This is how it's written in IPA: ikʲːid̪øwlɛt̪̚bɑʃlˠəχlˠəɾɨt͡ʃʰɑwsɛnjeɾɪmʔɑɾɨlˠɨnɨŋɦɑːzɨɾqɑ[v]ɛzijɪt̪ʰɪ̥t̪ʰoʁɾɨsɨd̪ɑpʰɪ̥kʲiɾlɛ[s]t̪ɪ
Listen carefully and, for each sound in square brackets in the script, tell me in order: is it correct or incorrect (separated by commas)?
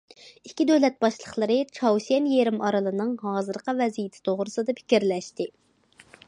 correct, incorrect